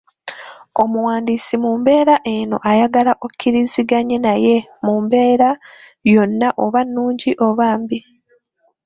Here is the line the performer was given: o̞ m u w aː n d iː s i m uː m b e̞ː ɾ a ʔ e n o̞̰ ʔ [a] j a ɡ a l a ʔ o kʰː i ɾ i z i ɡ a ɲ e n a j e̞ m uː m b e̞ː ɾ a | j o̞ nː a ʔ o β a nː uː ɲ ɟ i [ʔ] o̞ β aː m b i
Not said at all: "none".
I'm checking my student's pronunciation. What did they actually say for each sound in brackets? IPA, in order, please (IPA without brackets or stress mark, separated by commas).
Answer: a, ʔ